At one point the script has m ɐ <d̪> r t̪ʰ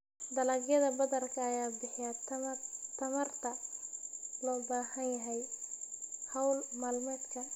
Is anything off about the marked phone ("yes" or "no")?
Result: yes